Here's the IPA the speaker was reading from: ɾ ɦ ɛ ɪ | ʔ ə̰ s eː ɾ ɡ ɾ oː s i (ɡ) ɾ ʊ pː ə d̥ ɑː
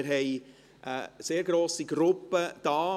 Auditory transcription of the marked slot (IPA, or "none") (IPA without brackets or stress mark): ɡ